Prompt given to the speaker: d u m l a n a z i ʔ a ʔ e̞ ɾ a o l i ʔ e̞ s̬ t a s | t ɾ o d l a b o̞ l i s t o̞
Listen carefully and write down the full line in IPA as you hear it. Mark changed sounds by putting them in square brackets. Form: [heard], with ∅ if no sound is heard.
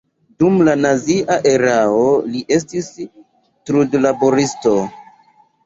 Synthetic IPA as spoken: d u m l a n a z i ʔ a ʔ e̞ ɾ a o l i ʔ e̞ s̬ t [i] s | t ɾ [u] d l a b o̞ [ɾ] i s t o̞